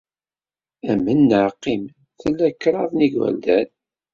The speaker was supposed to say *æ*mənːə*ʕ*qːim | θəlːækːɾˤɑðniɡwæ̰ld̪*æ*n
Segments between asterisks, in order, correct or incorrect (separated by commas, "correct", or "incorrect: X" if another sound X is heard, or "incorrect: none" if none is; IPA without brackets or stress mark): correct, correct, correct